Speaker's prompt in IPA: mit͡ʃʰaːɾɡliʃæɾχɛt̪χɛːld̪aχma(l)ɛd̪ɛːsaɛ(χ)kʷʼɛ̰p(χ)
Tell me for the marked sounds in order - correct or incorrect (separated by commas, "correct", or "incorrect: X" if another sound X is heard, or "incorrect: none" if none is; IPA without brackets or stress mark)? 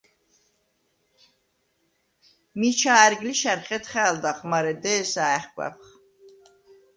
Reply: incorrect: ɾ, correct, correct